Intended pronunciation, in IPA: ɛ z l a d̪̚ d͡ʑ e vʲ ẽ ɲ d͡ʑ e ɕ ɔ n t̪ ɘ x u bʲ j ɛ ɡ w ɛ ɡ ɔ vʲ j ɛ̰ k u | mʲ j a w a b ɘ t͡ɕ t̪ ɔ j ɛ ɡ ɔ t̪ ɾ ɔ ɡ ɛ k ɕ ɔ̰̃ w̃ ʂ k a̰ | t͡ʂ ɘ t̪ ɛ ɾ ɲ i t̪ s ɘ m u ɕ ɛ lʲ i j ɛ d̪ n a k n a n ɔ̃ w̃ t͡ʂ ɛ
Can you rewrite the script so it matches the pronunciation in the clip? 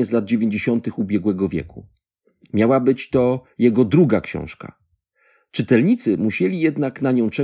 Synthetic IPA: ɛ z l a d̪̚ d͡ʑ e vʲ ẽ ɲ d͡ʑ e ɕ ɔ n t̪ ɘ x u bʲ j ɛ ɡ w ɛ ɡ ɔ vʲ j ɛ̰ k u | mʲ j a w a b ɘ t͡ɕ t̪ ɔ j ɛ ɡ ɔ d̪ ɾ u ɡ a k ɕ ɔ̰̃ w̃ ʂ k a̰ | t͡ʂ ɘ t̪ ɛ l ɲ i t̪ s ɘ m u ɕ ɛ lʲ i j ɛ d̪ n a k n a ɲ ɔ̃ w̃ t͡ʂ ɛ